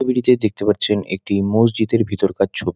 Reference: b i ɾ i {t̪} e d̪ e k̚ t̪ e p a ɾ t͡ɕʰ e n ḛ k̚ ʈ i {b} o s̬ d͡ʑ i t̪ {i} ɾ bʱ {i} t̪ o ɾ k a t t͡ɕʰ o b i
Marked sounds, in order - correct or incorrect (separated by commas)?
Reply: correct, incorrect, incorrect, correct